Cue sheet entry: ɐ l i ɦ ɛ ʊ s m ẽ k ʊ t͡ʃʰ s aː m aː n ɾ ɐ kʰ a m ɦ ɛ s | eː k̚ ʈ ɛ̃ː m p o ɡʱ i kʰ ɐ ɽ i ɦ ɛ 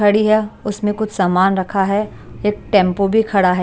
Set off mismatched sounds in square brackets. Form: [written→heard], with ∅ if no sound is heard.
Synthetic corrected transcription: ɐ [l→ɽ] i ɦ ɛ ʊ s m ẽ k ʊ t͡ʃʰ s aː m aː n ɾ ɐ kʰ a [m→∅] ɦ ɛ [s→∅] | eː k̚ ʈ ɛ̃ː m p o [ɡʱ→bʱ] i kʰ ɐ ɽ [i→a] ɦ ɛ